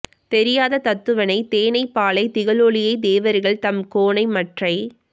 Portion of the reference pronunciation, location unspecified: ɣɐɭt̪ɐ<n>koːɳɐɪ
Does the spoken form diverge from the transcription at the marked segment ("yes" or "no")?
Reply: yes